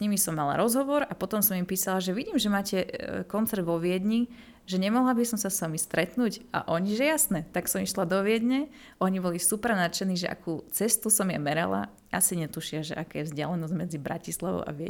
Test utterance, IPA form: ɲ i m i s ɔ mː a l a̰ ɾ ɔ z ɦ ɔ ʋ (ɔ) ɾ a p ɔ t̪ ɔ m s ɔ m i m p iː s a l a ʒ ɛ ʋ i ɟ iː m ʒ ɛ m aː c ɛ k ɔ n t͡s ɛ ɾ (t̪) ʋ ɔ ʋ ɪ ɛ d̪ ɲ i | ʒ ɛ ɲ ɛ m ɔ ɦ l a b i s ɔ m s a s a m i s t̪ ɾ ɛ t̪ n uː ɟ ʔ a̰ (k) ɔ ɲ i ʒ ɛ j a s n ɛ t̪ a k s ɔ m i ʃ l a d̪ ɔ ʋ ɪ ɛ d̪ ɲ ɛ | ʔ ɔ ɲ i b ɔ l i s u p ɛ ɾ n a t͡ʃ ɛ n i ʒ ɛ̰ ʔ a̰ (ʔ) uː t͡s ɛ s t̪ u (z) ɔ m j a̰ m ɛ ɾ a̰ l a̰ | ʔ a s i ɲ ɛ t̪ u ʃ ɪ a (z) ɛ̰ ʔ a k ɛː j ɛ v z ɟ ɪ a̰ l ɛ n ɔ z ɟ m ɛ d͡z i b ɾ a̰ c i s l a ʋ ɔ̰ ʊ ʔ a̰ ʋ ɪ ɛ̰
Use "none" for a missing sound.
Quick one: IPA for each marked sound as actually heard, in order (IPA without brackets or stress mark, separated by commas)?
ɔ, d̪, ʔ, k, s, ʒ